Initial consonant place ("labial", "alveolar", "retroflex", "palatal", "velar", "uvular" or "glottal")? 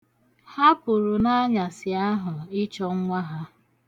glottal